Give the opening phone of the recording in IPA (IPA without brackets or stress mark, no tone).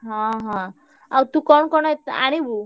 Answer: ɦ